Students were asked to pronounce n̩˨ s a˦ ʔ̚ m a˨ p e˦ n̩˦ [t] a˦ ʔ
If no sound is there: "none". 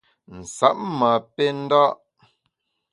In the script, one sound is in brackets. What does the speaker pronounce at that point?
d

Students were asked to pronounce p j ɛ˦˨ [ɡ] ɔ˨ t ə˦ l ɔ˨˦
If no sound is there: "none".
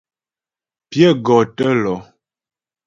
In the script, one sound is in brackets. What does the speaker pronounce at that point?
ɡ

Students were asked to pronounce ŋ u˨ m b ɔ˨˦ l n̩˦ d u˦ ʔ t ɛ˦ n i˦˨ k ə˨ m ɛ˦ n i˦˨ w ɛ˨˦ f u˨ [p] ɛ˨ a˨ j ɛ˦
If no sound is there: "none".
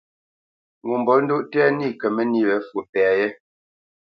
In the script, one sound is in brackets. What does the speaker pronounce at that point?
p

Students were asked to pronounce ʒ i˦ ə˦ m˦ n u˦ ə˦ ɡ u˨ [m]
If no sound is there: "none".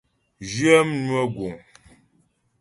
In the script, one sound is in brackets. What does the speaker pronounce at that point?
ŋ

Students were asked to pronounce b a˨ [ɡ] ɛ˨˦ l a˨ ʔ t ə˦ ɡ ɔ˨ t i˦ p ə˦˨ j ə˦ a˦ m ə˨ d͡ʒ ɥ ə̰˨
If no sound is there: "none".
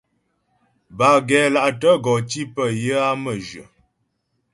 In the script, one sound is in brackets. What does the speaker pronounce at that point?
ɡ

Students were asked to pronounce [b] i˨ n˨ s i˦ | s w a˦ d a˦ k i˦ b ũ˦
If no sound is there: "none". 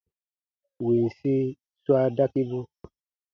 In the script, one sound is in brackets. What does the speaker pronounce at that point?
w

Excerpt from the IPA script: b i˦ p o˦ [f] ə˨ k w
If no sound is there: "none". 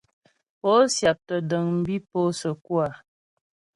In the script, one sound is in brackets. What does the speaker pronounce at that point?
s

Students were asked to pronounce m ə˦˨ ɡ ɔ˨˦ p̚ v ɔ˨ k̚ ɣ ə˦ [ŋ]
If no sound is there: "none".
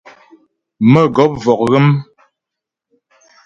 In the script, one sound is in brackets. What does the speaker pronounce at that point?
m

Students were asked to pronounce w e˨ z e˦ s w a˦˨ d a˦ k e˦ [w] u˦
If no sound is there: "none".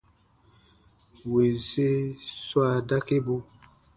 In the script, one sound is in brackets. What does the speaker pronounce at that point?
b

